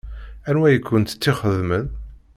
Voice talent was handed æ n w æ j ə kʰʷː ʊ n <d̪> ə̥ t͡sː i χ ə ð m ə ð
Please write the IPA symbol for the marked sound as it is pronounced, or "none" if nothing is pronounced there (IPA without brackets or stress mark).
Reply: t̪